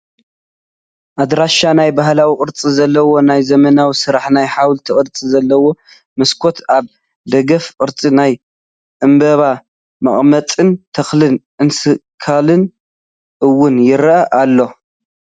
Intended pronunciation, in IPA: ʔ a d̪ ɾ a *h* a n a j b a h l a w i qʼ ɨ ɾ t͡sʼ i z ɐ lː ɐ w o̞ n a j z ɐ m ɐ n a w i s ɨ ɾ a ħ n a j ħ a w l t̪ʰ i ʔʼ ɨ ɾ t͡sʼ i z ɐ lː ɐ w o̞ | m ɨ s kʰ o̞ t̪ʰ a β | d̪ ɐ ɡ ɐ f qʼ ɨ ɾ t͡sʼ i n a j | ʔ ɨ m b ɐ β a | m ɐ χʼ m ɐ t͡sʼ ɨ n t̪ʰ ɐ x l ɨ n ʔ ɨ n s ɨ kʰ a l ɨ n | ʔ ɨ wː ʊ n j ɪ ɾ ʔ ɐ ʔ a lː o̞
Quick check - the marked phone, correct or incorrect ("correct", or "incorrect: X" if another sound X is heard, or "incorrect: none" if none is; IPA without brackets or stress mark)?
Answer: incorrect: ʃ